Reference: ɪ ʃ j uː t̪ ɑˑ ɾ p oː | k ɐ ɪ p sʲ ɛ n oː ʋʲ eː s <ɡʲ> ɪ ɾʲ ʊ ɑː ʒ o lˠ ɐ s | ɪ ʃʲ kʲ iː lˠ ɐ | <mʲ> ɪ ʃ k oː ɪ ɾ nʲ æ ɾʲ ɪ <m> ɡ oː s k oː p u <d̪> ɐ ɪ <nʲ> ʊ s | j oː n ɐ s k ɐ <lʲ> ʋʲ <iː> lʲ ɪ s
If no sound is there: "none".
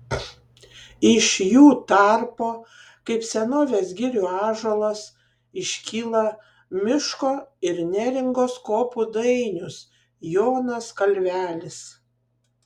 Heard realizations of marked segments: ɡʲ, mʲ, ŋ, d̪, nʲ, lʲ, æː

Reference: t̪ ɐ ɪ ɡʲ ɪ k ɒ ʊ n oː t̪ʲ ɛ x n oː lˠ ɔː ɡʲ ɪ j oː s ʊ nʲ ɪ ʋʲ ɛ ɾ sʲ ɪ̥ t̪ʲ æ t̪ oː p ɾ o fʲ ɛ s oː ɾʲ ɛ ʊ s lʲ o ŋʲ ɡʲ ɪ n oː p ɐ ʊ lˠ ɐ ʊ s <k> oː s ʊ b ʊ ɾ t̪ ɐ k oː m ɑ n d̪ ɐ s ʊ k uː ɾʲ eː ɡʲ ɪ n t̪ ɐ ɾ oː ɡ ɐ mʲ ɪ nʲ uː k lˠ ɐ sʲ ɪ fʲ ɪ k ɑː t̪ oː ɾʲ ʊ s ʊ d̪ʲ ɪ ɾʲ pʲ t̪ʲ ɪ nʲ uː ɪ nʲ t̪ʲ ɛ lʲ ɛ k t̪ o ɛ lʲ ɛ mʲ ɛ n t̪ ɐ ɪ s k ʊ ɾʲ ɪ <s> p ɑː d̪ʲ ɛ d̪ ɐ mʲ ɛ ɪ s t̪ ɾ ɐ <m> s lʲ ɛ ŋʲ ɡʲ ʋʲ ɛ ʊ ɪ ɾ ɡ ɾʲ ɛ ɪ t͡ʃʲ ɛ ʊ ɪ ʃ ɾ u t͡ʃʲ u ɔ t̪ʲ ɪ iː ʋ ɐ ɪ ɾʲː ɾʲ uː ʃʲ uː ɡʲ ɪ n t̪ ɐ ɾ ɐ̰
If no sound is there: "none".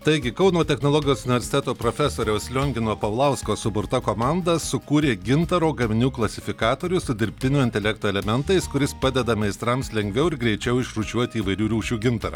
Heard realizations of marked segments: k, s, m

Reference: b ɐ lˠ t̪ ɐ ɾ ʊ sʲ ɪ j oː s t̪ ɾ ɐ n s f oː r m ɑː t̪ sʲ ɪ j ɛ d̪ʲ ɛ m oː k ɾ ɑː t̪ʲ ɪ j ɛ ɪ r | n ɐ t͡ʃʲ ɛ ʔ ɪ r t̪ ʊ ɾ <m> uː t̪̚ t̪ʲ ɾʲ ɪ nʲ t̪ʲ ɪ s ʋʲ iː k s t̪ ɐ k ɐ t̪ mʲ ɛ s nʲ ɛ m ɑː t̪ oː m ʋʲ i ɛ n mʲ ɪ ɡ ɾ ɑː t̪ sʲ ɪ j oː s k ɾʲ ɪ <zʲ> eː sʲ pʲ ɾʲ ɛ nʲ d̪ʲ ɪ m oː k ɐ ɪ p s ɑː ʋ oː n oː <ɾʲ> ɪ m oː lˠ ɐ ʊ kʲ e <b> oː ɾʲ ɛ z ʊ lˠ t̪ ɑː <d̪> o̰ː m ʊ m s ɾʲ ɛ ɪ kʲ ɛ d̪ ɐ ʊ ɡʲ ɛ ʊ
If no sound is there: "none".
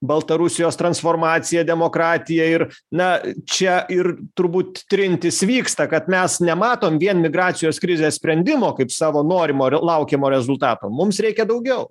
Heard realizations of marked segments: b, zʲ, ɾʲ, m, t̪

